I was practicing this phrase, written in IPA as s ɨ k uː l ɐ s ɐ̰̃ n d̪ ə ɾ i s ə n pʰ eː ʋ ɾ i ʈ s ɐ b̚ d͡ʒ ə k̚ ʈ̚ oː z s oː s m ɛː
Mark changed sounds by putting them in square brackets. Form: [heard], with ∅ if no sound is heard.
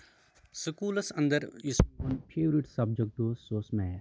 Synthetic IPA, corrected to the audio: s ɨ k uː l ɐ s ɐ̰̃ n d̪ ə ɾ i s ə n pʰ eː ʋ ɾ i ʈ s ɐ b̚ d͡ʒ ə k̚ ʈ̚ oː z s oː s m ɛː